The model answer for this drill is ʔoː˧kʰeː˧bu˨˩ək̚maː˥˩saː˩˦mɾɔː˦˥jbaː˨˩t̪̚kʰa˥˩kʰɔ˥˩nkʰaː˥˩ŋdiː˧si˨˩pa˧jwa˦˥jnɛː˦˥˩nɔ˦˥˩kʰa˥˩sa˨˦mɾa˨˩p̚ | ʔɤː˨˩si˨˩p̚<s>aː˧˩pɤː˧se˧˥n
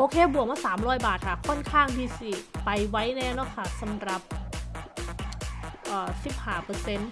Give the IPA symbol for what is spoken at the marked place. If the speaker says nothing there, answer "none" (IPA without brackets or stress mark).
h